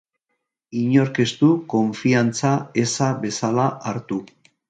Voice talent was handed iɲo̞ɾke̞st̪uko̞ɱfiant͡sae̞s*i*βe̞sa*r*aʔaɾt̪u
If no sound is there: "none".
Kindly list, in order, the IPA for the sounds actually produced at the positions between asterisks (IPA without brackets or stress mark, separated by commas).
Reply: a, l